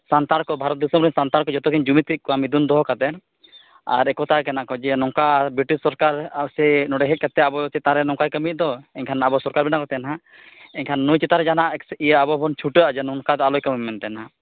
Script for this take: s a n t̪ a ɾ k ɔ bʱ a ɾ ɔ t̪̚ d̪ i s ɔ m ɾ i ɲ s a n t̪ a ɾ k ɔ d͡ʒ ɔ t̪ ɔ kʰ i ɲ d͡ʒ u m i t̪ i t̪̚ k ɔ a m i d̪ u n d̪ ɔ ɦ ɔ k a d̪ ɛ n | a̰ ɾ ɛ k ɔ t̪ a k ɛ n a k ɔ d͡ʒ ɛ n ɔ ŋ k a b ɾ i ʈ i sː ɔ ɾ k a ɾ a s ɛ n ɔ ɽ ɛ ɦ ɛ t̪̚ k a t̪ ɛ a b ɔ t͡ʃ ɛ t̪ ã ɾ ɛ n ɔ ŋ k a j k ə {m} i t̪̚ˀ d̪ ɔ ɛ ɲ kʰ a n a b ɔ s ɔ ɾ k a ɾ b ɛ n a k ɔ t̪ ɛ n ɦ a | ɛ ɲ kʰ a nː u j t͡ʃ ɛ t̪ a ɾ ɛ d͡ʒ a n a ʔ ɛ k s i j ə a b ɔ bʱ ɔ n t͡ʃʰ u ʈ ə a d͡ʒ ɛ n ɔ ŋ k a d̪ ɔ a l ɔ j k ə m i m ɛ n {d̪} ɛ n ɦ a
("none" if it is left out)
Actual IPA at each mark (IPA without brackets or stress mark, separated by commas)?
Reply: m, t̪